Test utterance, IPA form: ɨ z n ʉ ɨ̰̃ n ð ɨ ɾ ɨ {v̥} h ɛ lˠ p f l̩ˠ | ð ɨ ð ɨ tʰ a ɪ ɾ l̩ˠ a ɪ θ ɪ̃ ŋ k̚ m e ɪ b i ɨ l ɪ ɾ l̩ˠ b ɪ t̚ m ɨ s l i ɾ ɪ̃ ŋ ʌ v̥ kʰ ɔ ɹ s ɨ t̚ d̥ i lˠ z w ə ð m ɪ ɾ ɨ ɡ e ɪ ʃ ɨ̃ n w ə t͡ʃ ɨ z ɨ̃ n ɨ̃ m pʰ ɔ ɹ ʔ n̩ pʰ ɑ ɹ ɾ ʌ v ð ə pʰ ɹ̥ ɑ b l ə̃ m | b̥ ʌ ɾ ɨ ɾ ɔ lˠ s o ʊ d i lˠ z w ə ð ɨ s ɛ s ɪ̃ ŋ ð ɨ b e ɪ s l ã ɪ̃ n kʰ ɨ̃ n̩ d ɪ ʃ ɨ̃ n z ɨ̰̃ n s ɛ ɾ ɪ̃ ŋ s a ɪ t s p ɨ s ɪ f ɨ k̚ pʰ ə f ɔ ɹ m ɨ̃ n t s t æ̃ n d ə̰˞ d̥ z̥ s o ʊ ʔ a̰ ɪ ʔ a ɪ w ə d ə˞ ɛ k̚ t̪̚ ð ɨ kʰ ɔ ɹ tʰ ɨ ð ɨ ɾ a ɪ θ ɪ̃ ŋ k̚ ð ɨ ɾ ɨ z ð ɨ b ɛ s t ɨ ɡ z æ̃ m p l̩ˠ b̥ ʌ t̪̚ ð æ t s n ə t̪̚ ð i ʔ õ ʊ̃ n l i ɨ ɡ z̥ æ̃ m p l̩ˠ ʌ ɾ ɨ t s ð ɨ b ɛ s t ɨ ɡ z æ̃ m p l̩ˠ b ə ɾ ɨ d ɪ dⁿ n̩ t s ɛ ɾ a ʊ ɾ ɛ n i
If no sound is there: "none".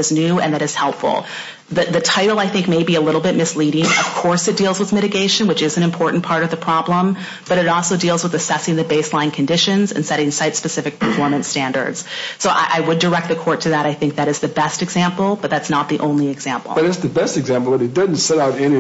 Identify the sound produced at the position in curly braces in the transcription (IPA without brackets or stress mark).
z̥